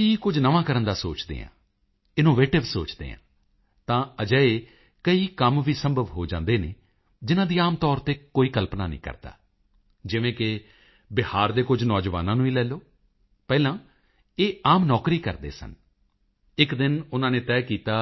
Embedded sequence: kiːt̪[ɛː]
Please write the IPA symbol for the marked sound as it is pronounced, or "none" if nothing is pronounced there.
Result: aː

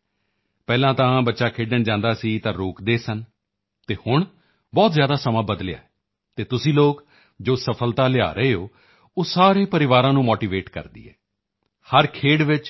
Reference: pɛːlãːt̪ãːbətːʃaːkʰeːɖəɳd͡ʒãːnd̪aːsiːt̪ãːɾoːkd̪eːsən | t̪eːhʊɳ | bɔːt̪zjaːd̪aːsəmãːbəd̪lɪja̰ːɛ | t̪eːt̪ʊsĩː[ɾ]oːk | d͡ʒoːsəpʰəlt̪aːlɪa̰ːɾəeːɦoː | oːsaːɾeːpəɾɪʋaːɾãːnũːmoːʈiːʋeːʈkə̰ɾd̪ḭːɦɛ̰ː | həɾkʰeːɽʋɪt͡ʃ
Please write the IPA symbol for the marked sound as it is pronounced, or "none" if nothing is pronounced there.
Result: l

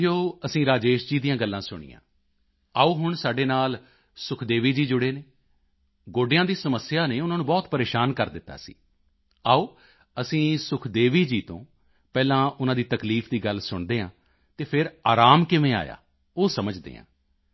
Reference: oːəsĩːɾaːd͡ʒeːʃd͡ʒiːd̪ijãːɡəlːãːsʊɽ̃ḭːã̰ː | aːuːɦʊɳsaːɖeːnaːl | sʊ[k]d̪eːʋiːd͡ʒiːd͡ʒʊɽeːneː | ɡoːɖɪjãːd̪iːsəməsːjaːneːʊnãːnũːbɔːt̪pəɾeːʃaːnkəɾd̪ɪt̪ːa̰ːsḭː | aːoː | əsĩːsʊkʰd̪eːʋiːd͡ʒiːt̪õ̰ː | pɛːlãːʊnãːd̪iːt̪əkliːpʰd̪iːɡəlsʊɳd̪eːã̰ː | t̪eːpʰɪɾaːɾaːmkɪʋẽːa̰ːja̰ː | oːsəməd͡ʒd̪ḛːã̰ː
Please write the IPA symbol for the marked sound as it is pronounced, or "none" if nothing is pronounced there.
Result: kʰ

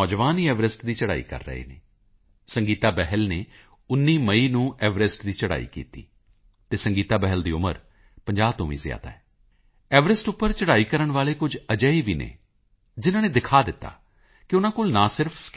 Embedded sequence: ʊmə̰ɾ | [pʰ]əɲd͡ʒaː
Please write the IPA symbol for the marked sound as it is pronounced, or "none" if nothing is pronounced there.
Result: p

